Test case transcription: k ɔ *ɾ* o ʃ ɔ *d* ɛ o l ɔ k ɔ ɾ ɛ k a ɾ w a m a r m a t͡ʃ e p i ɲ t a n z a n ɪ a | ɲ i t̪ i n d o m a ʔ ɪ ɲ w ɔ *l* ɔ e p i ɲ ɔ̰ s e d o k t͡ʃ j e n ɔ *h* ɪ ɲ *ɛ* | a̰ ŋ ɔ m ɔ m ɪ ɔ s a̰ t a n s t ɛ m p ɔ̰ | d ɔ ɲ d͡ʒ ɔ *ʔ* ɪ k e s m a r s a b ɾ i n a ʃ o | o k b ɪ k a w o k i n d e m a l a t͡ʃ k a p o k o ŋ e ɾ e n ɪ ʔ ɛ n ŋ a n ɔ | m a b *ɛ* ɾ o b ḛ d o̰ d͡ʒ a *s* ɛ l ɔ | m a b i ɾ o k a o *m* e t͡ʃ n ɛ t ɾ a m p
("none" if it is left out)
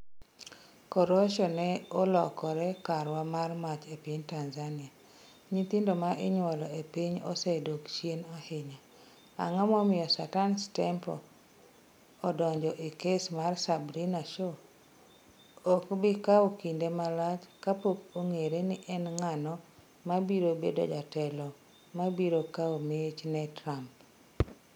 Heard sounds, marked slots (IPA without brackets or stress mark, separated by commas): ɾ, n, l, h, a, ʔ, i, t, m